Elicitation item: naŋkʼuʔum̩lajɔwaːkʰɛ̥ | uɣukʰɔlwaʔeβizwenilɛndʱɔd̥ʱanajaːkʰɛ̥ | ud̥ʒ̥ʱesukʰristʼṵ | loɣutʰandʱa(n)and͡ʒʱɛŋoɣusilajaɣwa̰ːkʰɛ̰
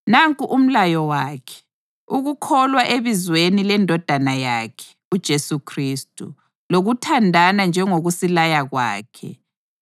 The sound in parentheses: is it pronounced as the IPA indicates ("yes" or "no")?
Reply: yes